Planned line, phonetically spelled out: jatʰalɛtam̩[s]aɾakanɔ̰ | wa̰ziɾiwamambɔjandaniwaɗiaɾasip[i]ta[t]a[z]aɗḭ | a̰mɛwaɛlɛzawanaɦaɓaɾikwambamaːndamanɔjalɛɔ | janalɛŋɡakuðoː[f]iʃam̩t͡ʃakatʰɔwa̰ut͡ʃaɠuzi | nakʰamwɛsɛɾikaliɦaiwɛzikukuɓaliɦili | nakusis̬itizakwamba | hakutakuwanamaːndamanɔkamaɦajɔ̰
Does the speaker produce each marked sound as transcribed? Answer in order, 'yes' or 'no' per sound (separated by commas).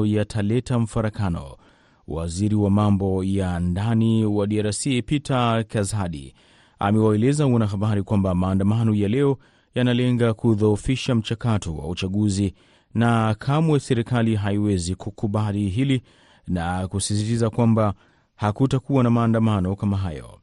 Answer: no, yes, no, yes, yes